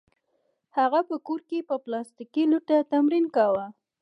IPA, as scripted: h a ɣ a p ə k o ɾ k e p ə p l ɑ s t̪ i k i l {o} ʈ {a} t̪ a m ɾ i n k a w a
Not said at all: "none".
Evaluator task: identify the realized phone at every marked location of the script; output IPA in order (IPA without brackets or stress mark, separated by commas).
u, a